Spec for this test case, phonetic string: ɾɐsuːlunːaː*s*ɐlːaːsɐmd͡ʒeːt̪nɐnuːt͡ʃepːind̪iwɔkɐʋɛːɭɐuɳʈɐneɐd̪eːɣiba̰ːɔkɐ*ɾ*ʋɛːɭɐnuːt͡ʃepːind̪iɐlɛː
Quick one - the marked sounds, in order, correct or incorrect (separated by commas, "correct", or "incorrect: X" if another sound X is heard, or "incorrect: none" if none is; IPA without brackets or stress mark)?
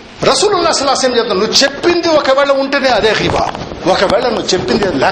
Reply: correct, incorrect: none